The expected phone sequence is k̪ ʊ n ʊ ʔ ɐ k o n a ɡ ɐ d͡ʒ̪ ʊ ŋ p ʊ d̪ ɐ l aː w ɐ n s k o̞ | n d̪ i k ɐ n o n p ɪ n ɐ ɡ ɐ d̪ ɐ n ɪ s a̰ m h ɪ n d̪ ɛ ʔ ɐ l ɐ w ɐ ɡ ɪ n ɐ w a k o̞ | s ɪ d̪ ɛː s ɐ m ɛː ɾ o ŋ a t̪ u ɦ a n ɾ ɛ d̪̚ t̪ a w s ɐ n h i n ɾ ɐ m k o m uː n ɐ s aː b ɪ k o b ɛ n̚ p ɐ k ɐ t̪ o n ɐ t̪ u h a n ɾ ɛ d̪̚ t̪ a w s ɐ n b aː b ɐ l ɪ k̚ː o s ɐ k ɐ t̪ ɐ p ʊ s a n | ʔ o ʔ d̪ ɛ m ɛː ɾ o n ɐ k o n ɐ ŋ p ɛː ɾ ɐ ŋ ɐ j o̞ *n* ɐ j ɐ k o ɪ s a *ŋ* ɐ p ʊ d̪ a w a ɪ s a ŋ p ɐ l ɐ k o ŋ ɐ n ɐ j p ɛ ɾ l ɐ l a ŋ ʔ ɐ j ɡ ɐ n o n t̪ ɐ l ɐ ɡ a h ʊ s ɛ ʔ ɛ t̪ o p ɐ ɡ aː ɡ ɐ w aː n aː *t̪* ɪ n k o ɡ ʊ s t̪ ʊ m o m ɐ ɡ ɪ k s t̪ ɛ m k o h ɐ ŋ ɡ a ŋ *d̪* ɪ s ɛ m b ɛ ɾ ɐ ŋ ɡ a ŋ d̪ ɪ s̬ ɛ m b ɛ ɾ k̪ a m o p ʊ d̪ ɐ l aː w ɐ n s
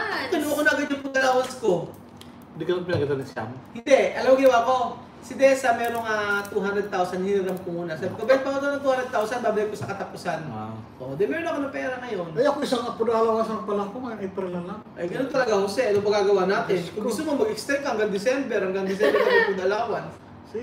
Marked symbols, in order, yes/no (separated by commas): yes, yes, yes, yes